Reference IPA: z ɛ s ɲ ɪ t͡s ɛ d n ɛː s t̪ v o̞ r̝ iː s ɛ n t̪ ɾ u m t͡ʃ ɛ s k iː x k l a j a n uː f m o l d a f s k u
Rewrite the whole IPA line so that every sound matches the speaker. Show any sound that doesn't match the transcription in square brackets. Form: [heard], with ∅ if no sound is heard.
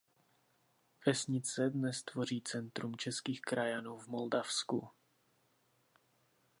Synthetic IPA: [v] ɛ s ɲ ɪ t͡s ɛ d n [ɛ] s t̪ v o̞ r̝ iː [t͡s] ɛ n t̪ ɾ u m t͡ʃ ɛ s k iː x k [ɾ] a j a n uː [v] m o l d a f s k u